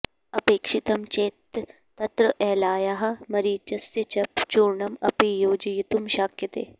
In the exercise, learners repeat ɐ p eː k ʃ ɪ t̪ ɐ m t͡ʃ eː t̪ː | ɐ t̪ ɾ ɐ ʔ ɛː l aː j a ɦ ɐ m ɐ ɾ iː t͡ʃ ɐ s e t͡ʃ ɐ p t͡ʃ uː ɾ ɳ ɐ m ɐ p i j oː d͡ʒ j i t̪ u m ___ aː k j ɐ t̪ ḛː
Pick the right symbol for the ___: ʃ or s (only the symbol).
ʃ